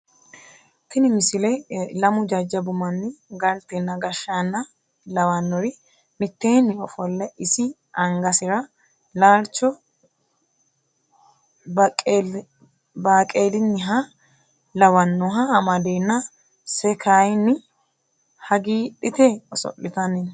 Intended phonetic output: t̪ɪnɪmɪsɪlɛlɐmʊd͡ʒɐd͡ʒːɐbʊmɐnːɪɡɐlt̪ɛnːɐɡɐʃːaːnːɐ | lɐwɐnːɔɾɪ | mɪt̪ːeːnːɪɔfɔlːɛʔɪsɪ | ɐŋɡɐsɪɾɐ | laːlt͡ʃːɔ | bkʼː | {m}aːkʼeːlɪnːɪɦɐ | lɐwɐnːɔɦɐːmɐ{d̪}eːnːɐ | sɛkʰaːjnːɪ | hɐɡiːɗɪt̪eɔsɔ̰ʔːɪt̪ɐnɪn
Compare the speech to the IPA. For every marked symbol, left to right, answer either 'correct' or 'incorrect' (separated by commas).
incorrect, correct